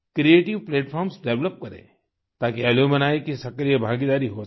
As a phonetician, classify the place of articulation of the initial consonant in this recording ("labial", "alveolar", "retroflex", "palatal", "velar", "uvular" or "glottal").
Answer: velar